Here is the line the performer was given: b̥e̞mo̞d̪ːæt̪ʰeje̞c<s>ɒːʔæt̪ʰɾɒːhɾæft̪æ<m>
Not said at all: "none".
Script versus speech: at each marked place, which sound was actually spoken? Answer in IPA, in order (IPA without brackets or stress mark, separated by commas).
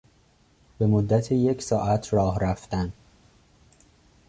s, n